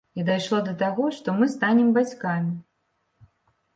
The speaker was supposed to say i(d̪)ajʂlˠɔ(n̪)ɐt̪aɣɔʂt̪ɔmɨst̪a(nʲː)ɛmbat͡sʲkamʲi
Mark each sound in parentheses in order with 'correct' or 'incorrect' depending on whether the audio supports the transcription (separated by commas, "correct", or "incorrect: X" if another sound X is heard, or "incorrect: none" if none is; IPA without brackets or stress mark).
correct, incorrect: d̪, incorrect: nʲ